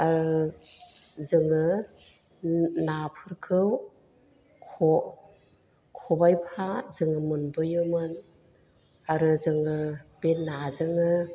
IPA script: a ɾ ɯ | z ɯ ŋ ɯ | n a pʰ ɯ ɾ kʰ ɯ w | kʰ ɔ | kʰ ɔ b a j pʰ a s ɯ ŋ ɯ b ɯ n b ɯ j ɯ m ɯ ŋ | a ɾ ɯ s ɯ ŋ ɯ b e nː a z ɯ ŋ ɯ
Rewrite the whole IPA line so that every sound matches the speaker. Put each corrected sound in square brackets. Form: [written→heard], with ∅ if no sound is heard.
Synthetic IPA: a ɾ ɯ | z ɯ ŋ ɯ | n a pʰ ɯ ɾ kʰ ɯ w | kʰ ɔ | kʰ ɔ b a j pʰ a [s→z] ɯ ŋ ɯ [b→m] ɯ n b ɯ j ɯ m ɯ [ŋ→n] | a ɾ ɯ [s→z] ɯ ŋ ɯ b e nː a z ɯ ŋ ɯ